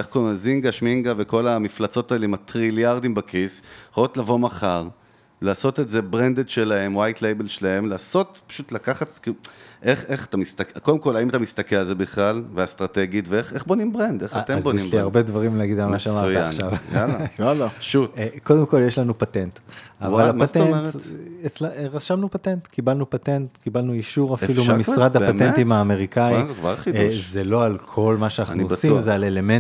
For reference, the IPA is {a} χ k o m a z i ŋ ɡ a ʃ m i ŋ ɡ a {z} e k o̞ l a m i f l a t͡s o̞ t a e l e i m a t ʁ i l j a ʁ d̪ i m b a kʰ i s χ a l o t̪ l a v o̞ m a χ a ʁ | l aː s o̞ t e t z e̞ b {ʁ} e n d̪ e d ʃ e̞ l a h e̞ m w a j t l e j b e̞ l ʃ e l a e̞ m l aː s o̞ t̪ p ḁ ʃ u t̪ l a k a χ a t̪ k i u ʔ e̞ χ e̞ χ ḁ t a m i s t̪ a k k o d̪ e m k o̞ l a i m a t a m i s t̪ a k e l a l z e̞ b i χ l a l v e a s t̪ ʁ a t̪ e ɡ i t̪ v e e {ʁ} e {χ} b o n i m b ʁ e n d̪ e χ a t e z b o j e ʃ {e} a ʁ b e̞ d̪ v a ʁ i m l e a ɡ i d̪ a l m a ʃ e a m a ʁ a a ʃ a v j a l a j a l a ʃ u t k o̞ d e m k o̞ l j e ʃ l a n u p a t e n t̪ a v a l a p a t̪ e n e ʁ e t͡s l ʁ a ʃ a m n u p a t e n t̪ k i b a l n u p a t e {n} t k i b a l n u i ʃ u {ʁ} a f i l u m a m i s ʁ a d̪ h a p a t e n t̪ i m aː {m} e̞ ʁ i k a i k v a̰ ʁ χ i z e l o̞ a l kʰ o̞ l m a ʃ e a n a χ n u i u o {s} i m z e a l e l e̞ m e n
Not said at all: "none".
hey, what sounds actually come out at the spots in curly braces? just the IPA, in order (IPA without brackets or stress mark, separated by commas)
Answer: e, v, ʁ, χ, χ, i, n, ʁ, m, s